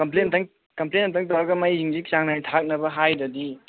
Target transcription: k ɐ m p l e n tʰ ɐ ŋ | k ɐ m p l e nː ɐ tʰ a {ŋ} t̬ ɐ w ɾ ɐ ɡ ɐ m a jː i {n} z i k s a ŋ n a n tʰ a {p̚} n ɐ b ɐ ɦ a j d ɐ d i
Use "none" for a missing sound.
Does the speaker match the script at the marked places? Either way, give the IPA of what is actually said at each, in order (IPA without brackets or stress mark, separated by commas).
ŋ, ŋ, k̚